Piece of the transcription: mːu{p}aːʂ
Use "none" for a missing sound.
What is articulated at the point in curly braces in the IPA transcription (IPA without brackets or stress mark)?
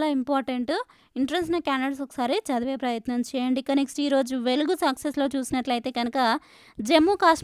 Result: k